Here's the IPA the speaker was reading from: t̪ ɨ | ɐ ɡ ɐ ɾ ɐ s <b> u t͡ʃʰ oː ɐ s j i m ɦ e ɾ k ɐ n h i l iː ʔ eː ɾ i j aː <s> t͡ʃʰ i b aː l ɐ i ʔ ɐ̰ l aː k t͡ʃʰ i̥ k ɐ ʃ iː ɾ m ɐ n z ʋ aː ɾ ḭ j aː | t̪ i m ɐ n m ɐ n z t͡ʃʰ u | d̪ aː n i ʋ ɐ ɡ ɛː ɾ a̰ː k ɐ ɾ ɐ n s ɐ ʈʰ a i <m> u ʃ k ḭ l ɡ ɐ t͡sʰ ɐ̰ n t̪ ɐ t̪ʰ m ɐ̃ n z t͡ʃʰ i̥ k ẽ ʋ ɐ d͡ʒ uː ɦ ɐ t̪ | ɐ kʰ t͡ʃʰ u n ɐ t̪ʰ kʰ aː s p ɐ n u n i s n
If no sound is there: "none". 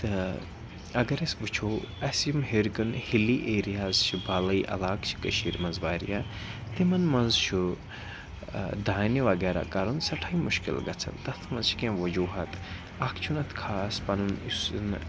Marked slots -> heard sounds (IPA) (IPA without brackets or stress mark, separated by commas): b, z, m